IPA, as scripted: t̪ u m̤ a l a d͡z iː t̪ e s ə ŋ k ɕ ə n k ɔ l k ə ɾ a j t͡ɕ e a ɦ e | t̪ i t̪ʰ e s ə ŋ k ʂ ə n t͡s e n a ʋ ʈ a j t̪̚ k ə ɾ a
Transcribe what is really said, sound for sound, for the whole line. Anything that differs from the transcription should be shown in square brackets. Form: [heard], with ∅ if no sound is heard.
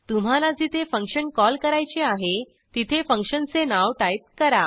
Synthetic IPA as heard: t̪ u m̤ a l a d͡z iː t̪ e [f] ə ŋ k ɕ ə n k ɔ l k ə ɾ a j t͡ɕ e a ɦ e | t̪ i t̪ʰ e [f] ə ŋ k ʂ ə n t͡s e n a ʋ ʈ a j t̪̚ k ə ɾ a